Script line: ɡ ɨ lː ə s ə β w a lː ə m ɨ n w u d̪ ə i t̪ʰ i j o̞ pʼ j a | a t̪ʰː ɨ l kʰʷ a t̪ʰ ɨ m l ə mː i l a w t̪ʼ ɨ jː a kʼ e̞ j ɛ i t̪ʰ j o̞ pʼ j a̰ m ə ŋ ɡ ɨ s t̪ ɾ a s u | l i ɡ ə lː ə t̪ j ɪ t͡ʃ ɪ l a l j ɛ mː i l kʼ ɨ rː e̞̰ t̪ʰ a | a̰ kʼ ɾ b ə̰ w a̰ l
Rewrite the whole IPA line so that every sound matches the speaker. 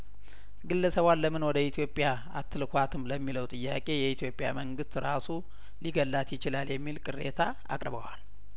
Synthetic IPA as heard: ɡ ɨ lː ə s ə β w a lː ə m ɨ n w ɔ d̪ ə i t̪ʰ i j o̞ pʼ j a | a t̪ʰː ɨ l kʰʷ a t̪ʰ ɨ m l ə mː i l ə w t̪ʼ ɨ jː a kʼ e̞ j ɛ i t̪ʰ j o̞ pʼ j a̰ m ə ŋ ɡ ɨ s t̪ ɾ a s u | l i ɡ ə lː a t̪ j ɪ t͡ʃ ɪ l a l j ɛ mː i l kʼ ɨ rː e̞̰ t̪ʰ a | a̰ kʼ ɾ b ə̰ w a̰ l